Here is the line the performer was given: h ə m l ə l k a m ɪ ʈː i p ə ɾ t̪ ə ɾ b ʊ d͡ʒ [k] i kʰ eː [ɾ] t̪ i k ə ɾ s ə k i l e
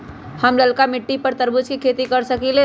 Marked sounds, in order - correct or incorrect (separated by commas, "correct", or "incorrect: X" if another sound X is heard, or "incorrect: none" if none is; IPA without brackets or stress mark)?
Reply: correct, incorrect: none